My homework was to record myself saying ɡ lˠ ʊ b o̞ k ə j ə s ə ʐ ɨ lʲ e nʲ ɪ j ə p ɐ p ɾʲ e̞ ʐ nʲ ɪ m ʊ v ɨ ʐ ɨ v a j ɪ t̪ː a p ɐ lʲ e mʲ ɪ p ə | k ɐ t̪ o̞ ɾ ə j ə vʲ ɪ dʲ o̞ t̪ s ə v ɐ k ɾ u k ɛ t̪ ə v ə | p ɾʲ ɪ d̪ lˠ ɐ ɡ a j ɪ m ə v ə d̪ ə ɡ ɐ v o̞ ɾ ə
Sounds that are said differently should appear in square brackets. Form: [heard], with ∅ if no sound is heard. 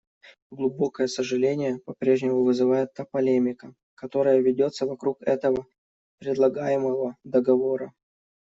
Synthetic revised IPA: ɡ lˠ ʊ b o̞ k ə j ə s ə ʐ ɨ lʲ e nʲ ɪ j ə p ɐ p ɾʲ e̞ ʐ nʲ ɪ m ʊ v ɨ [z] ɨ v a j ɪ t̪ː a p ɐ lʲ e mʲ ɪ [k] ə | k ɐ t̪ o̞ ɾ ə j ə vʲ ɪ dʲ o̞ t̪ s ə v ɐ k ɾ u k ɛ t̪ ə v ə | p ɾʲ ɪ d̪ lˠ ɐ ɡ a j ɪ m ə v ə d̪ ə ɡ ɐ v o̞ ɾ ə

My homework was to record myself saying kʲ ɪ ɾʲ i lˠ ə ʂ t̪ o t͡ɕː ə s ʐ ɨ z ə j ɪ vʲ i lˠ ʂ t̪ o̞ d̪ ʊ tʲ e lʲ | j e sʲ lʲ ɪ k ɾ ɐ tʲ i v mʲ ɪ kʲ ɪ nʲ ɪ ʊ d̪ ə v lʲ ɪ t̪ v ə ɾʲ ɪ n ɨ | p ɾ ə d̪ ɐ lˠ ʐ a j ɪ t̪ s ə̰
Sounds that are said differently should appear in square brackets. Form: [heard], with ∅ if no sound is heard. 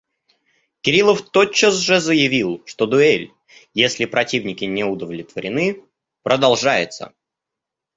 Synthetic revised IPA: kʲ ɪ ɾʲ i lˠ ə [f] t̪ o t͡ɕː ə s ʐ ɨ z ə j ɪ vʲ i lˠ ʂ t̪ o̞ d̪ ʊ [∅] e lʲ | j e sʲ lʲ ɪ [p] ɾ ɐ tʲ i v [nʲ] ɪ kʲ ɪ nʲ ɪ ʊ d̪ ə v lʲ ɪ t̪ v ə ɾʲ ɪ n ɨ | p ɾ ə d̪ ɐ lˠ ʐ a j ɪ t̪ s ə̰

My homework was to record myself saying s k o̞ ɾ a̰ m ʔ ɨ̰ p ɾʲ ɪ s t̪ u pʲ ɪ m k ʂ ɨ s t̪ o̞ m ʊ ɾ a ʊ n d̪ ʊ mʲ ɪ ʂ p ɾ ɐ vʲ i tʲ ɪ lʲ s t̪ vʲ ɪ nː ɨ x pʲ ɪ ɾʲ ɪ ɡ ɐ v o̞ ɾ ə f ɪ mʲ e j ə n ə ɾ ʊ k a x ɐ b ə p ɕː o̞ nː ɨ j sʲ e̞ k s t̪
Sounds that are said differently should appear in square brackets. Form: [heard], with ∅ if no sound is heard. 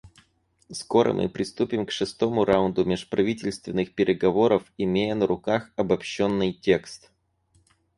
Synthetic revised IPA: s k o̞ ɾ [ə̰] m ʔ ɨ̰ p ɾʲ ɪ s t̪ u pʲ ɪ m k ʂ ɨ s t̪ o̞ m ʊ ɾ a ʊ n d̪ ʊ mʲ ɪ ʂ p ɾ ɐ vʲ i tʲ ɪ lʲ s t̪ vʲ ɪ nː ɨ x pʲ ɪ ɾʲ ɪ ɡ ɐ v o̞ ɾ ə f ɪ mʲ e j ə n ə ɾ ʊ k a x ɐ b [ɐ] p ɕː o̞ nː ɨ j [tʲ] e̞ k s t̪

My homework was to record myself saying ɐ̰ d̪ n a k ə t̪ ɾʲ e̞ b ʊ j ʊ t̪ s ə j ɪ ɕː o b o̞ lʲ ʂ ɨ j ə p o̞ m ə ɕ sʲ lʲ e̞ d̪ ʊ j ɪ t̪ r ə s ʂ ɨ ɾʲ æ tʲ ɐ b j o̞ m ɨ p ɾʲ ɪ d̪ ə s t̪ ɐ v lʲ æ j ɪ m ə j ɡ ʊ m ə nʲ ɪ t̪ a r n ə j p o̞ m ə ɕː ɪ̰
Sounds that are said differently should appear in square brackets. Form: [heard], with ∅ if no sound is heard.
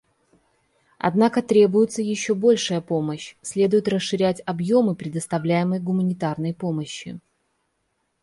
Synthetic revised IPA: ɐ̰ d̪ n a k ə t̪ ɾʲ e̞ b ʊ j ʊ t̪ s ə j ɪ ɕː o b o̞ lʲ ʂ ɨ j ə p o̞ m ə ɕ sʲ lʲ e̞ d̪ ʊ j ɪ t̪ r ə s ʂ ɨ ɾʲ æ tʲ ɐ b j o̞ m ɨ p ɾʲ ɪ d̪ ə s t̪ ɐ v lʲ æ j ɪ m ə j ɡ ʊ m ə nʲ ɪ t̪ a r n ə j p o̞ m ə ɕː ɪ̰

